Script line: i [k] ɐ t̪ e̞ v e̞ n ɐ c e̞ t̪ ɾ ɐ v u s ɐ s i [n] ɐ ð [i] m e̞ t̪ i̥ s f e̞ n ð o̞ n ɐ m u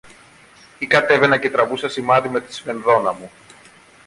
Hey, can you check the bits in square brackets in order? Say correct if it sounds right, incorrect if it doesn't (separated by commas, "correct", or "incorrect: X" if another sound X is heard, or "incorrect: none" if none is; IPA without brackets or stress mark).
correct, incorrect: m, correct